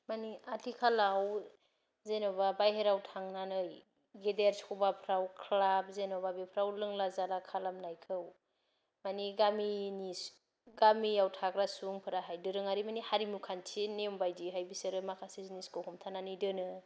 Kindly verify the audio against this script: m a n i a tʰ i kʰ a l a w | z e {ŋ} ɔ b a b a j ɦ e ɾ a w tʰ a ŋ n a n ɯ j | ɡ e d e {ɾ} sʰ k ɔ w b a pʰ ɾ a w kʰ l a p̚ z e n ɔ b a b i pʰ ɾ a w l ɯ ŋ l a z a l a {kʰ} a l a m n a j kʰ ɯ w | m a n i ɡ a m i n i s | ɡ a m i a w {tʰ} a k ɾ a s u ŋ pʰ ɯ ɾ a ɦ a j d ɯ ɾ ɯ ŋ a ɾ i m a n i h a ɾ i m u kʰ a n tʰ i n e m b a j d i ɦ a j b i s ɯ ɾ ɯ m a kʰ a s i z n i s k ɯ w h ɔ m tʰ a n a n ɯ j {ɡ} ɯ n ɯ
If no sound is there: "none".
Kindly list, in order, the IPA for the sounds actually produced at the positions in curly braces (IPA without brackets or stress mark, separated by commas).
n, ɾ, kʰ, tʰ, d